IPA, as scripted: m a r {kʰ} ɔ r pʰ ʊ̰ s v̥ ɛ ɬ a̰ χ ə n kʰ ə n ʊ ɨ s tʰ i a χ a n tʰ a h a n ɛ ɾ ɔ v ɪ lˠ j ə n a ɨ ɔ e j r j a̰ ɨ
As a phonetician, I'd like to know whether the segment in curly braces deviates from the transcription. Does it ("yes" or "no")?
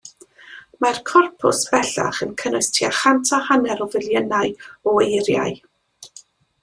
no